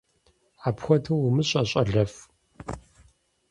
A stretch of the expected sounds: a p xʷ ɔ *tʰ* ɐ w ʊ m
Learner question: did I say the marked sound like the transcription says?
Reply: yes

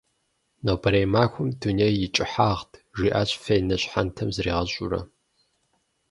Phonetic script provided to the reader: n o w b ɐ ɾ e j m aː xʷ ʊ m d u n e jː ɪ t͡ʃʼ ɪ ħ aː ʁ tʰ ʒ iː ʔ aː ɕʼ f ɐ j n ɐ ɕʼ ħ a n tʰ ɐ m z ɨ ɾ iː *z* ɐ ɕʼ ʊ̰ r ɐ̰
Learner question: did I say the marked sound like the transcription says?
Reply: no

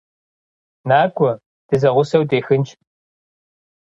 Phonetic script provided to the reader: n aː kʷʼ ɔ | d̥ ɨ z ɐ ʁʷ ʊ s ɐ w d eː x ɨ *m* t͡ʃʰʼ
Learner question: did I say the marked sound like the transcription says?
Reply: no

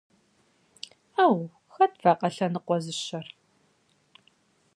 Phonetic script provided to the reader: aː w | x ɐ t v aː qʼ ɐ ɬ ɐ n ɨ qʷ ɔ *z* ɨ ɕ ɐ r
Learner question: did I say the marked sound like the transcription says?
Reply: yes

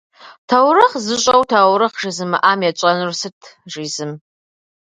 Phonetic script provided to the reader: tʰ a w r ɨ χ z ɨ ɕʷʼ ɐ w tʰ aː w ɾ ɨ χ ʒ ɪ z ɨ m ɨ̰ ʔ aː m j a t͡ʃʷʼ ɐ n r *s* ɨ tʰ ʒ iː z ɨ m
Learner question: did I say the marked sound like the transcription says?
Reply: yes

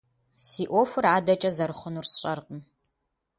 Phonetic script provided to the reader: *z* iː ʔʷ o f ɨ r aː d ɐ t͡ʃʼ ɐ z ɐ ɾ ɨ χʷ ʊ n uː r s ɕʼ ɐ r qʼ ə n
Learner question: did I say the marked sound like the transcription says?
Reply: no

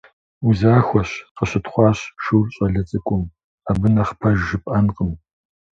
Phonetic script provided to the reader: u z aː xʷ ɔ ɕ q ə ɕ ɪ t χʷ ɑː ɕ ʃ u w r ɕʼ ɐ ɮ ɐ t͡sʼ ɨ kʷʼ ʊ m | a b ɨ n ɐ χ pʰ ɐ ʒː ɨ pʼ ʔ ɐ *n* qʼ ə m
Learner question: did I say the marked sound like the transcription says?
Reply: yes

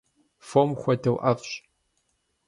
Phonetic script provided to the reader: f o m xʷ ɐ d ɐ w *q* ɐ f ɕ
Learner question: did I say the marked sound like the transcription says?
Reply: no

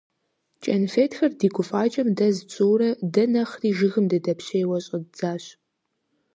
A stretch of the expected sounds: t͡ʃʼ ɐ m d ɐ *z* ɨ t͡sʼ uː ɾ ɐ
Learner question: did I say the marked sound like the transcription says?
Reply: yes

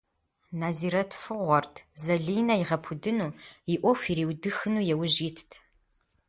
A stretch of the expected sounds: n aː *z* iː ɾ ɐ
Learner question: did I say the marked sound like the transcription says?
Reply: yes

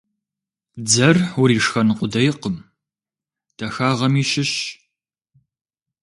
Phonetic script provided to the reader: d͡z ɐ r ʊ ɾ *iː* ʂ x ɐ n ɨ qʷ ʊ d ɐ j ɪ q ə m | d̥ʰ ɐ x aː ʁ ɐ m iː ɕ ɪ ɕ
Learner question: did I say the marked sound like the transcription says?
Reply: yes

